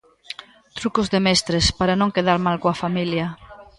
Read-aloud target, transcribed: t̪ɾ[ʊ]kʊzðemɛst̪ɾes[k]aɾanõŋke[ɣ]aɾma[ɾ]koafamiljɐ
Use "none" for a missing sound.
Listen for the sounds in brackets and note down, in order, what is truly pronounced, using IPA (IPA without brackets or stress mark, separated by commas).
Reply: u, p, ð, l